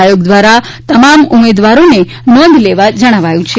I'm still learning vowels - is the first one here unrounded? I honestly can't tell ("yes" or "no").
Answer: no